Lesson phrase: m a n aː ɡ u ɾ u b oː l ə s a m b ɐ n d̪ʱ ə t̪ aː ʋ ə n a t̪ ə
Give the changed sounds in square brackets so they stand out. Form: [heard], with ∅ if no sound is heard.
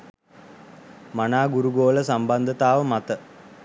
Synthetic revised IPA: m a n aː ɡ u ɾ u [ɡ] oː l ə s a m b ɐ n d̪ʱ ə t̪ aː ʋ ə [m] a t̪ ə